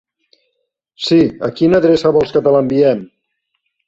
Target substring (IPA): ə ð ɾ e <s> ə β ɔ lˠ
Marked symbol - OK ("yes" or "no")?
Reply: yes